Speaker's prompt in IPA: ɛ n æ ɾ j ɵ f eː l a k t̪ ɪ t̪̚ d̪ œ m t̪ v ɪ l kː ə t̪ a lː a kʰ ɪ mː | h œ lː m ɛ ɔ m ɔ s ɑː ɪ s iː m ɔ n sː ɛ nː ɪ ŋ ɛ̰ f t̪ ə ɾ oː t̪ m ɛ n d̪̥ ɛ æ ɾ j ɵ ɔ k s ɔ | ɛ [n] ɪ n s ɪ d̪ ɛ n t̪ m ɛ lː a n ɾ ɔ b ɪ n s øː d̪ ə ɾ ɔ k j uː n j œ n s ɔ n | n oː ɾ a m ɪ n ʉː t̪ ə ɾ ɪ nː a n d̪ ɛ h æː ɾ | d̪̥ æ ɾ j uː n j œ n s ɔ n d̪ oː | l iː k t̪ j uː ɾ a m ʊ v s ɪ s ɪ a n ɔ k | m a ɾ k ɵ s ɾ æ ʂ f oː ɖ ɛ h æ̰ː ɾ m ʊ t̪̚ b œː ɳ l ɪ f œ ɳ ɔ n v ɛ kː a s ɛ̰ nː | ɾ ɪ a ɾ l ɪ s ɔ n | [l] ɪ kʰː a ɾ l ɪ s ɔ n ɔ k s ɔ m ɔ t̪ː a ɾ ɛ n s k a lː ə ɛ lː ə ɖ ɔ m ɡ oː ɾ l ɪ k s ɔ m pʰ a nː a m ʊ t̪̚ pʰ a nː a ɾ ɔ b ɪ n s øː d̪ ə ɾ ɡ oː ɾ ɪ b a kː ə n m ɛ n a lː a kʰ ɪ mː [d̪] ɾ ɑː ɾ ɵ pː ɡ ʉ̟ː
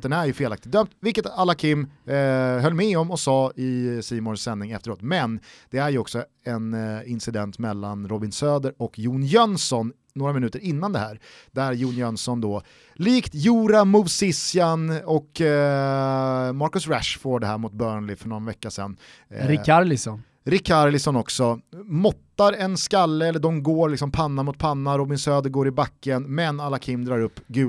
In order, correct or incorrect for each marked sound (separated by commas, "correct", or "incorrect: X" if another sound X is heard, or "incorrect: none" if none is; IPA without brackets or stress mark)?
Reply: correct, incorrect: ɾ, correct